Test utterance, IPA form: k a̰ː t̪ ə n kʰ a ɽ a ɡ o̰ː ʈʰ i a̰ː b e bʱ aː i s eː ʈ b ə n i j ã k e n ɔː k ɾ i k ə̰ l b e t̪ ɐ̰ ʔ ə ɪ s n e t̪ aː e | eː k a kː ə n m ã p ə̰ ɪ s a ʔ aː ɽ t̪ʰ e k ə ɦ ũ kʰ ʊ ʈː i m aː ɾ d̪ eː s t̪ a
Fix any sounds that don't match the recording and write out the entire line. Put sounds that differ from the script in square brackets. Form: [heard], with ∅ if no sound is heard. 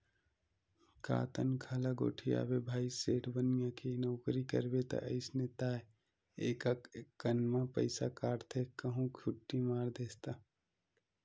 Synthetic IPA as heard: k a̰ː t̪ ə n kʰ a [l] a ɡ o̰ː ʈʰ i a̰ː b e bʱ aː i s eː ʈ b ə n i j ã k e n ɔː k ɾ i k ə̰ [ɾ] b e t̪ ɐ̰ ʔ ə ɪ s n e t̪ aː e | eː k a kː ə n m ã p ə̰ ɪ s a [k] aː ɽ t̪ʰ e k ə ɦ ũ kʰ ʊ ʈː i m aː ɾ d̪ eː s t̪ a

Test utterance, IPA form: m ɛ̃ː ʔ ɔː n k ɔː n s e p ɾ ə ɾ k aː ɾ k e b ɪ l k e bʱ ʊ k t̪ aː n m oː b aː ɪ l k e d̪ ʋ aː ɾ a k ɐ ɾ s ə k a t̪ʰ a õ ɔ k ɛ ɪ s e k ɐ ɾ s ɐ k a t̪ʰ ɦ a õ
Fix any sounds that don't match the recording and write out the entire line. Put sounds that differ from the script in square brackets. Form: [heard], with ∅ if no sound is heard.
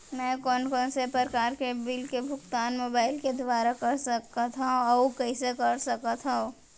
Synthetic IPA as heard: m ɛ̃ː [k] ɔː n k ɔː n s e p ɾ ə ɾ k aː ɾ k e b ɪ l k e bʱ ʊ k t̪ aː n m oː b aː ɪ l k e d̪ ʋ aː ɾ a k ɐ ɾ s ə k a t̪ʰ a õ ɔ k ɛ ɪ s e k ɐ ɾ s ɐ k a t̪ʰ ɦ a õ

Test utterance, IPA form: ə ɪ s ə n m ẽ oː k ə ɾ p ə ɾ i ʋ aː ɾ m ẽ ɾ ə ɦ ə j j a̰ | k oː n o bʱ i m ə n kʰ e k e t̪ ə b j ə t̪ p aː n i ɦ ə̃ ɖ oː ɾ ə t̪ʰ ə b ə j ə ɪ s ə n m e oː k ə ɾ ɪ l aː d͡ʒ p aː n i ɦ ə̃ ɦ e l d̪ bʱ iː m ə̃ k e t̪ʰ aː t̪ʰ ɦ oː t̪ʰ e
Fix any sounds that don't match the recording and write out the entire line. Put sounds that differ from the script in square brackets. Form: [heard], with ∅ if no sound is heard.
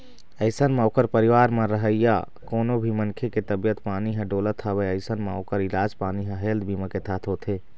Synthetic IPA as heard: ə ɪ s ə n m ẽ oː k ə ɾ p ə ɾ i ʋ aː ɾ m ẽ ɾ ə ɦ ə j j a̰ | k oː n o bʱ i m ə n kʰ e k e t̪ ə b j ə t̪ p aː n i ɦ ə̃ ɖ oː [l] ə t̪ʰ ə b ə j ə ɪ s ə n m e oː k ə ɾ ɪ l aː d͡ʒ p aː n i ɦ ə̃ ɦ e l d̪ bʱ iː m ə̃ k e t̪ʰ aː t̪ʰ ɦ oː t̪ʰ e

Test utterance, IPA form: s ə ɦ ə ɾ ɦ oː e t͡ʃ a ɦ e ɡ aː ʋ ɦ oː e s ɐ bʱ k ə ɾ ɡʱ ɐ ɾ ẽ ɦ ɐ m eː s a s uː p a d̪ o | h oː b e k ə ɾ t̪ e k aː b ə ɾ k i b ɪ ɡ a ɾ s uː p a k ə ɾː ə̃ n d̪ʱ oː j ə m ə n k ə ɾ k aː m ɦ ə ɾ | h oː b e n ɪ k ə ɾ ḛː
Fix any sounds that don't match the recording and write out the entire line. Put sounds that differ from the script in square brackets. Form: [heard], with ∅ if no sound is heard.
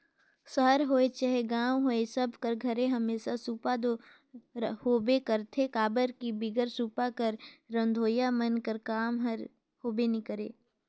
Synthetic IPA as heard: s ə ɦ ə ɾ ɦ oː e t͡ʃ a ɦ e ɡ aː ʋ ɦ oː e s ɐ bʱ k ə ɾ ɡʱ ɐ ɾ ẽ ɦ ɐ m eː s a s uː p a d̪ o | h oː b e k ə ɾ [t̪ʰ] e k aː b ə ɾ k i b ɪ ɡ [ə] ɾ s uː p a k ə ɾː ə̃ n d̪ʱ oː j [a] m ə n k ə ɾ k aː m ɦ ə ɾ | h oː b e n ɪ k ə ɾ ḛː

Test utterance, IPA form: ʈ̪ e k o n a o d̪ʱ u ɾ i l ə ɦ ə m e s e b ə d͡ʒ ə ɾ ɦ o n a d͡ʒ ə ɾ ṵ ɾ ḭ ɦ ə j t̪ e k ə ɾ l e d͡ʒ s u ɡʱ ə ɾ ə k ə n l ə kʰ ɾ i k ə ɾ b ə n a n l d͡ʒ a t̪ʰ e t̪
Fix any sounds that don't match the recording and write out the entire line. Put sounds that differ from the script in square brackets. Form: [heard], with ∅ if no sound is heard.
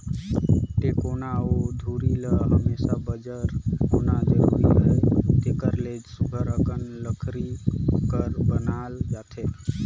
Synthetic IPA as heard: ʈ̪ e k o n a o d̪ʱ u ɾ i l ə ɦ ə m e s [a] b ə d͡ʒ ə ɾ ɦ o n a d͡ʒ ə ɾ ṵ ɾ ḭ ɦ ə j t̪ e k ə ɾ l e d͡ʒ s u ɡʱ ə ɾ ə k ə n l ə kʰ ɾ i k ə ɾ b ə n a [∅] l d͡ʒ a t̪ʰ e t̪

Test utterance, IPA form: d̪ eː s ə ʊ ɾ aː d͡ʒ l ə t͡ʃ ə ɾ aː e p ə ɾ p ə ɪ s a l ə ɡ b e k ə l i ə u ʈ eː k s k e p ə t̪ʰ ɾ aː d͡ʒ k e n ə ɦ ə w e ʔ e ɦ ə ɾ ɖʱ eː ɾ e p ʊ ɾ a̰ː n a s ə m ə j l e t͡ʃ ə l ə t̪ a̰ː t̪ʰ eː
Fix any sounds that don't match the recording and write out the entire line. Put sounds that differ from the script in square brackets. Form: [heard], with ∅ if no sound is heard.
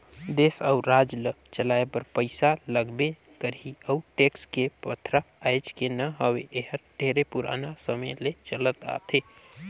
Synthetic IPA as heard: d̪ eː s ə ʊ ɾ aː d͡ʒ l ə t͡ʃ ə [l] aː e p ə ɾ p ə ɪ s a l ə ɡ b e k ə [ɾ] i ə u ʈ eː k s k e p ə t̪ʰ ɾ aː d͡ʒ k e n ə ɦ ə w e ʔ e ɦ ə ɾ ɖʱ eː ɾ e p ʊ ɾ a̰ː n a s ə m ə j l e t͡ʃ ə l ə t̪ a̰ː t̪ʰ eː

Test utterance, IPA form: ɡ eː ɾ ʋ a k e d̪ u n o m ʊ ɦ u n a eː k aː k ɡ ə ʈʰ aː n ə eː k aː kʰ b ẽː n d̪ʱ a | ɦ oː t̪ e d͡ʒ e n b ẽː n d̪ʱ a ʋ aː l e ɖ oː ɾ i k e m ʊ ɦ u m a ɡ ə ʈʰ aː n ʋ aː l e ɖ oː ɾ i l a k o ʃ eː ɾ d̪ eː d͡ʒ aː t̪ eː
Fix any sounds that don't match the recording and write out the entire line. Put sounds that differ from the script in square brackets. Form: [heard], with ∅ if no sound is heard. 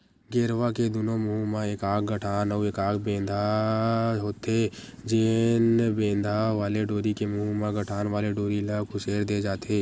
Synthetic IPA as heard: ɡ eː ɾ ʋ a k e d̪ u n o m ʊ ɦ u [m] a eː k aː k ɡ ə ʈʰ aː n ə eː k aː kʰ b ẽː n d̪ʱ a | ɦ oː t̪ e d͡ʒ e n b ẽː n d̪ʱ a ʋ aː l e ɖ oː ɾ i k e m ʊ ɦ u m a ɡ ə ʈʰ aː n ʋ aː l e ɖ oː ɾ i l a k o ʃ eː ɾ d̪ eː d͡ʒ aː t̪ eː

